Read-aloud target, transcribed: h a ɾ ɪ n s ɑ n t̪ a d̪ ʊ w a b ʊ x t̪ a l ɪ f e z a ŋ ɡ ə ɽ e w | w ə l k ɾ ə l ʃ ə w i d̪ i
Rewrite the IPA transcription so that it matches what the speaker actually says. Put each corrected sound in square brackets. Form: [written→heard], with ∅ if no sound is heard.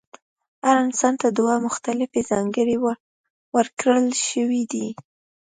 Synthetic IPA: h a ɾ ɪ n s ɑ n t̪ a d̪ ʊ w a [b→m] ʊ x t̪ a l ɪ f e z [a→ɑ] ŋ ɡ ə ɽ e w | w ə [l→ɾ] k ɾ ə l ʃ ə w i d̪ i